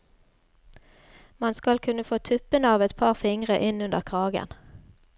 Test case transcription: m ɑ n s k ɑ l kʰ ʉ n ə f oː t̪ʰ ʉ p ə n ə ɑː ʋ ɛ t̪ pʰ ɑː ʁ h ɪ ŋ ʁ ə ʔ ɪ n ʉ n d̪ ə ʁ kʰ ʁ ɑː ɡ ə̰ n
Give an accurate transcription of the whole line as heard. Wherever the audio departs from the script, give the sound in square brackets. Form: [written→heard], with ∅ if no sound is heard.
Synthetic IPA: m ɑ n s k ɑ l kʰ ʉ n ə f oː t̪ʰ ʉ p ə n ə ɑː ʋ ɛ t̪ pʰ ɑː ʁ [h→f] ɪ ŋ ʁ ə ʔ ɪ n ʉ n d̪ ə ʁ kʰ ʁ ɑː ɡ ə̰ n